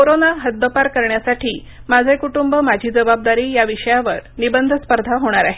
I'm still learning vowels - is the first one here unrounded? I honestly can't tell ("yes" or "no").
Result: no